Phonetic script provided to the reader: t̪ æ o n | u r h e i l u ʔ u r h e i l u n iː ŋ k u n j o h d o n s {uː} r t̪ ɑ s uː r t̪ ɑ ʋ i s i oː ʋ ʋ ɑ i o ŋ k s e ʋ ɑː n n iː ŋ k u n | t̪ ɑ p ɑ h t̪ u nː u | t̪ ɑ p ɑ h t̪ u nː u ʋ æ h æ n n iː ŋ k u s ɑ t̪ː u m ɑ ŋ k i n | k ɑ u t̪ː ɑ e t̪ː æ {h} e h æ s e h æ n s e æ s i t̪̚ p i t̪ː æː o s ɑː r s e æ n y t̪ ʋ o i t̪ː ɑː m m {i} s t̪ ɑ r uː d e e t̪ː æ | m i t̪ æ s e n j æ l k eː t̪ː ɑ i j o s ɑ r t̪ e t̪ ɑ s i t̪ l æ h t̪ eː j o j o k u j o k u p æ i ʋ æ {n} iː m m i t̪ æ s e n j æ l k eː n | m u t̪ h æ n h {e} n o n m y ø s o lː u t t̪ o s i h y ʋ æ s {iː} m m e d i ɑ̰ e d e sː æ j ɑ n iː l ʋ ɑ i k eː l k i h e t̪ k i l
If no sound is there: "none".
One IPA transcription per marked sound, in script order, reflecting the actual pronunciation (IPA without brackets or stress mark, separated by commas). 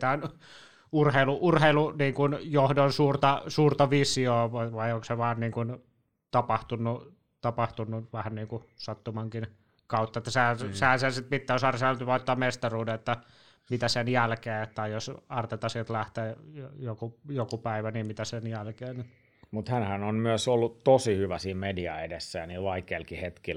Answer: uː, s, e, n, æ, iː